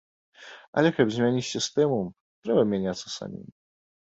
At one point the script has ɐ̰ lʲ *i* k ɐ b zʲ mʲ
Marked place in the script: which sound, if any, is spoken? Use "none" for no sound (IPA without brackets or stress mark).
ɛ